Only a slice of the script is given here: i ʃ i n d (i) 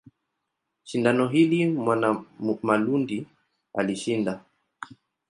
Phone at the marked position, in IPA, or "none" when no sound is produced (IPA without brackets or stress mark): a